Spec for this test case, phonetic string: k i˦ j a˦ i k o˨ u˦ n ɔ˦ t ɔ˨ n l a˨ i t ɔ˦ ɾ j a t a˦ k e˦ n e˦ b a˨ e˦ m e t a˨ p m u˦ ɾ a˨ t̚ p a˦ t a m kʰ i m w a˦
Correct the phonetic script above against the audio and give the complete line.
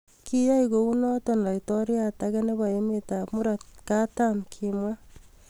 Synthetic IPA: k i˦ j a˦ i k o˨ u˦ n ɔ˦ t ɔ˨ n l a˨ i t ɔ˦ ɾ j a t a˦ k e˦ n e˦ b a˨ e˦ m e t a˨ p m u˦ ɾ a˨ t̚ k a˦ t a m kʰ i m w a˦